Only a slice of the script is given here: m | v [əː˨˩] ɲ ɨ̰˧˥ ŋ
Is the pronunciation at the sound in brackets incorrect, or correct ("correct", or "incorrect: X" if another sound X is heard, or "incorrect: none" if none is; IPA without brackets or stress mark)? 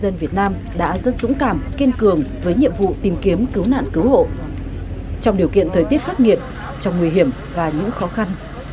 incorrect: aː˨˩